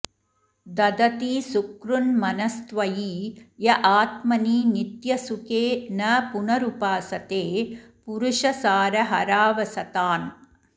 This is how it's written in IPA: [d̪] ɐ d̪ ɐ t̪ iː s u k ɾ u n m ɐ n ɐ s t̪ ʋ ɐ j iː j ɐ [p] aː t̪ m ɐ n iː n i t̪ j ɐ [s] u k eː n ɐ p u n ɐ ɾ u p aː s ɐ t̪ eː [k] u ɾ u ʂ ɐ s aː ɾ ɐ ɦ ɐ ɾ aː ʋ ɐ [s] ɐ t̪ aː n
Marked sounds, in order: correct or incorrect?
correct, incorrect, correct, incorrect, correct

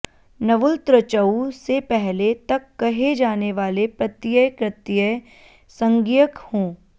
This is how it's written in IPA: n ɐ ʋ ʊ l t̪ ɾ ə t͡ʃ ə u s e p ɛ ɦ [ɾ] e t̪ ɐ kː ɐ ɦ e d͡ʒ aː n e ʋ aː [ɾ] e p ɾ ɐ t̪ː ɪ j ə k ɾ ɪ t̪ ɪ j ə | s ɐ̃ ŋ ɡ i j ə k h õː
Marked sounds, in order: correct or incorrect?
incorrect, incorrect

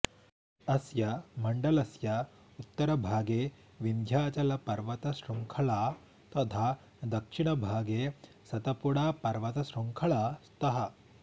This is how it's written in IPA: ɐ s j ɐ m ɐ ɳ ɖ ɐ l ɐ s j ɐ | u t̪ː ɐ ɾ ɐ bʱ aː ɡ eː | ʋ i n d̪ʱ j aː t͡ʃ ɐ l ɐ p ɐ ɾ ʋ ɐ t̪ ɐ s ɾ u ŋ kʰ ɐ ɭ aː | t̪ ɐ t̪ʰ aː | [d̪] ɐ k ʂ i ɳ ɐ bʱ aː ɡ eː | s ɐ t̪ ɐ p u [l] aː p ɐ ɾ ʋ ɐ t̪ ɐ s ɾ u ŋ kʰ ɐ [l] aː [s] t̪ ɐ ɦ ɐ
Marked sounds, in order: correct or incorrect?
correct, incorrect, incorrect, correct

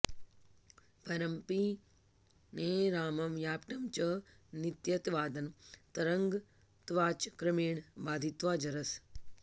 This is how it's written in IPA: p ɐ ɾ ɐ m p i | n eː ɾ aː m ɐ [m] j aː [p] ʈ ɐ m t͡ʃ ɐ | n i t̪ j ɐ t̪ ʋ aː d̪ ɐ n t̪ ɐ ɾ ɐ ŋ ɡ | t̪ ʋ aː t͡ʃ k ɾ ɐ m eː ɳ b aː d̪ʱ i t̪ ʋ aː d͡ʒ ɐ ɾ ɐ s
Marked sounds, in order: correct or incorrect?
correct, correct

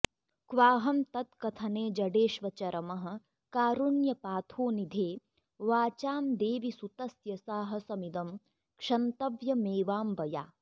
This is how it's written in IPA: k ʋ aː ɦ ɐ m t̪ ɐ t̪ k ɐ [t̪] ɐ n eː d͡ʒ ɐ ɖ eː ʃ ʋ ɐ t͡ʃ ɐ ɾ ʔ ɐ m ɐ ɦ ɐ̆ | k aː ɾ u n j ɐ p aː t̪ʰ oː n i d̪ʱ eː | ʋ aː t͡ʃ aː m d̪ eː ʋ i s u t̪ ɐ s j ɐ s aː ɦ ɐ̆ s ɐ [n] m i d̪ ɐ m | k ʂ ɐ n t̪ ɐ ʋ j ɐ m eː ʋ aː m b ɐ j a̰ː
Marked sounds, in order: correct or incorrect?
incorrect, incorrect

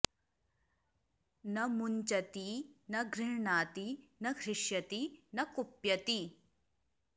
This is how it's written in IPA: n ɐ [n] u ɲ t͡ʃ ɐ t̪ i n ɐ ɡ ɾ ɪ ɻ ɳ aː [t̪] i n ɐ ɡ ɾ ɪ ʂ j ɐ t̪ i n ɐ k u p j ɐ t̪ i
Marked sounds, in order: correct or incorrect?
incorrect, correct

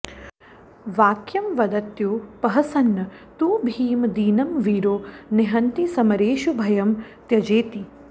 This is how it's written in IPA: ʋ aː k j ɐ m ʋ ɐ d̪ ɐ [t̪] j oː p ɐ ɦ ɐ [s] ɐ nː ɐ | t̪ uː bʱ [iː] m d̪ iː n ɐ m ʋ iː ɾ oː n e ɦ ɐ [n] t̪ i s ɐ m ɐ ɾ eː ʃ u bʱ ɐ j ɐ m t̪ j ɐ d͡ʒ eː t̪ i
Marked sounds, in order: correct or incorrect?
correct, correct, correct, correct

